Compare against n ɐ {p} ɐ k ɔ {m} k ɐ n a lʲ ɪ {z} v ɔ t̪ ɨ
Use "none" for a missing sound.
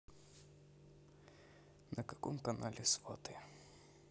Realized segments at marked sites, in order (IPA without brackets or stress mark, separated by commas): k, m, s